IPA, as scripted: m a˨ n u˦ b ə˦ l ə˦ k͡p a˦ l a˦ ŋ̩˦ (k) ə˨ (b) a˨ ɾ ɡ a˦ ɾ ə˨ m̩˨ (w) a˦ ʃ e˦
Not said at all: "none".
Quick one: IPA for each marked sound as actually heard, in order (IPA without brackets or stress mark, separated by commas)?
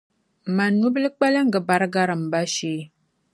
ɡ, b, b